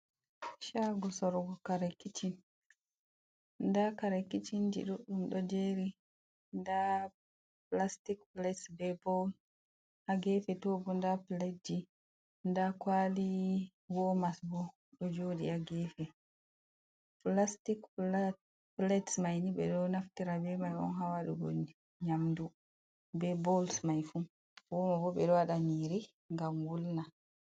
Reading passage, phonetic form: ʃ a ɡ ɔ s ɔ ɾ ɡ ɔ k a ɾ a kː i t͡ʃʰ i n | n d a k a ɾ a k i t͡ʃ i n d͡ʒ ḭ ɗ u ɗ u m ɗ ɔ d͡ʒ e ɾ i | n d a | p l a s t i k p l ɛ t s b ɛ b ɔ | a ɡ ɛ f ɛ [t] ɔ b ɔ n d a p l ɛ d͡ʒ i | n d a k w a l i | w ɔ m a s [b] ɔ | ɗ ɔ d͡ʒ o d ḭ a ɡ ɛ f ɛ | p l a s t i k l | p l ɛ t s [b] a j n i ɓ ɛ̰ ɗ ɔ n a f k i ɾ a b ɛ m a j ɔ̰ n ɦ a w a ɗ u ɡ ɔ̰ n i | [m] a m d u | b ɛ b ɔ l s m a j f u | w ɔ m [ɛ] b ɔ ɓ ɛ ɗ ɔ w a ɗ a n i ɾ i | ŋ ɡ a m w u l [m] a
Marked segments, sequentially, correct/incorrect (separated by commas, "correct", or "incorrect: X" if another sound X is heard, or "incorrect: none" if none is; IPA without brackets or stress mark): correct, correct, incorrect: m, incorrect: ɲ, incorrect: a, incorrect: n